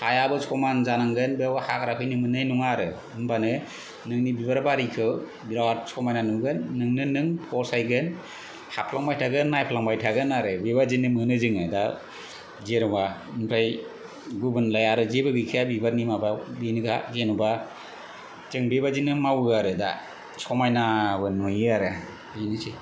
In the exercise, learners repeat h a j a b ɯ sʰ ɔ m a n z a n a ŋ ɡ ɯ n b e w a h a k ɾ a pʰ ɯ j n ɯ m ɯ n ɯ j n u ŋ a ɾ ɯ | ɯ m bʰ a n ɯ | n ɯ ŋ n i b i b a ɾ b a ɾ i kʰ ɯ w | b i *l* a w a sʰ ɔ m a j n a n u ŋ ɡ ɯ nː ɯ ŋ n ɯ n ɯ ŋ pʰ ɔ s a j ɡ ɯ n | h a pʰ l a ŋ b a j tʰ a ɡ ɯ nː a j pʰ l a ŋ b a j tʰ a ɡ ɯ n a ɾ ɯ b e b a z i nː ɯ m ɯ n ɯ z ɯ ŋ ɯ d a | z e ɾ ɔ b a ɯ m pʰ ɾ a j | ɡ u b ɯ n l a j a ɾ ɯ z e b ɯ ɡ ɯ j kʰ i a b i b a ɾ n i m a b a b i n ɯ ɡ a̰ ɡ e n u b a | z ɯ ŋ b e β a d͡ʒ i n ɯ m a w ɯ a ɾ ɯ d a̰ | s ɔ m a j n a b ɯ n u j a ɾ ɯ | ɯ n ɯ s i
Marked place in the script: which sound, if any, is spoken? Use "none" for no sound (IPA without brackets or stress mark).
ɾ